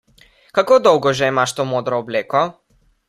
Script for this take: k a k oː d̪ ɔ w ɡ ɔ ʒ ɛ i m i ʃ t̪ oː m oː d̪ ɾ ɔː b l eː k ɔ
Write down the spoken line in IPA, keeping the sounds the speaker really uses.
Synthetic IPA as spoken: k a k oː d̪ ɔ w ɡ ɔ ʒ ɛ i m a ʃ t̪ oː m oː d̪ ɾ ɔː b l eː k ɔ